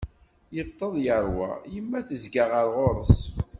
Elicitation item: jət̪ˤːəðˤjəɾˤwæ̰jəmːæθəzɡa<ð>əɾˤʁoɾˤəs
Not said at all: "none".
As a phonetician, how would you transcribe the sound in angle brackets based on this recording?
ʁ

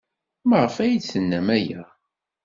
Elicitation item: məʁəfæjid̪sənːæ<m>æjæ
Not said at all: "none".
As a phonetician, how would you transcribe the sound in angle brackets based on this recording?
m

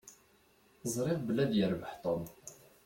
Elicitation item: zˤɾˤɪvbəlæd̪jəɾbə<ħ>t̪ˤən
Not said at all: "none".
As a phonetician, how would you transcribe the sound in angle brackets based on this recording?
ħ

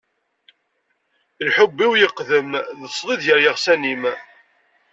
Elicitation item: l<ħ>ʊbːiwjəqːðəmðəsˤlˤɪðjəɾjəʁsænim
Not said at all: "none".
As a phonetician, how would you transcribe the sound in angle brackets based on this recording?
ħ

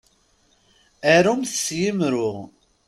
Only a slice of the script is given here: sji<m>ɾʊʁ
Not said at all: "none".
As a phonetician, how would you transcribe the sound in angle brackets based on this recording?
m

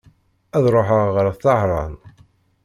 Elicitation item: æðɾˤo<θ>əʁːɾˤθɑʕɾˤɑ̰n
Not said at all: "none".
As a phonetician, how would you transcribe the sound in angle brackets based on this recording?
ħ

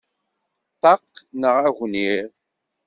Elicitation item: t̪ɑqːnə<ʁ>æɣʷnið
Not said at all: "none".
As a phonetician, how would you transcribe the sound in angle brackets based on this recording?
ʁ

